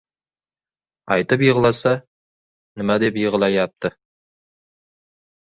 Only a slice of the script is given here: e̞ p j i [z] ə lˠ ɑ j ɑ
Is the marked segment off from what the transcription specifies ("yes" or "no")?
yes